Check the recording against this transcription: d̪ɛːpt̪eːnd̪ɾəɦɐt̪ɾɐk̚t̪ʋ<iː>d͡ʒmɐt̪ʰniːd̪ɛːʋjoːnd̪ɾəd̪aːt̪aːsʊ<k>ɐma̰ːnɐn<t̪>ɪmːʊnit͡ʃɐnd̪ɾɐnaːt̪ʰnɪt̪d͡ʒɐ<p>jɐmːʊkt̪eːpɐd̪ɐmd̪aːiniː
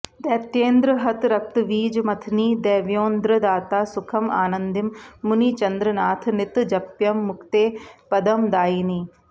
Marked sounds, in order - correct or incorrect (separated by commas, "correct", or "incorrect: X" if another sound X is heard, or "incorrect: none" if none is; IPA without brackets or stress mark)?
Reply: correct, incorrect: kʰ, incorrect: d̪, correct